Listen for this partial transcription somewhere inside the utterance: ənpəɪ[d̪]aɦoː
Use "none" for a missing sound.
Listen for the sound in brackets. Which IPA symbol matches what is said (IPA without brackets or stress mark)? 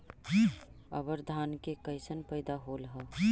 d̪